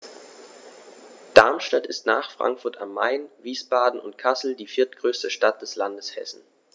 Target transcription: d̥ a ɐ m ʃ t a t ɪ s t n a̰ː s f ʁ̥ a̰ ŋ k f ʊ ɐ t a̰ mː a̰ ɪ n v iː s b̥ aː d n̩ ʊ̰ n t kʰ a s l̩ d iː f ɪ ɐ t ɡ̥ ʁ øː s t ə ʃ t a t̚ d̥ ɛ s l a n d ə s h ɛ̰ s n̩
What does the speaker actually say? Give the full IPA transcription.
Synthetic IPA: d̥ a ɐ m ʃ t a t ɪ s t n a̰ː χ f ʁ̥ a̰ ŋ k f ʊ ɐ t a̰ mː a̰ ɪ n v iː s b̥ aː d n̩ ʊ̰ n t kʰ a s l̩ d iː f ɪ ɐ t ɡ̥ ʁ øː s t ə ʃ t a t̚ d̥ ɛ s l a n d ə s h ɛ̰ s n̩